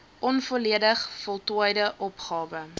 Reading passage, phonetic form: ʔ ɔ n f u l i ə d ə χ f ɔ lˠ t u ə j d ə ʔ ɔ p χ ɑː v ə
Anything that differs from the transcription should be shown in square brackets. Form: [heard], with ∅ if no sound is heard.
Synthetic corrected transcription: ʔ ɔ n f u l i ə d ə χ f ɔ lˠ t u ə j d ə ʔ ɔ p χ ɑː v ə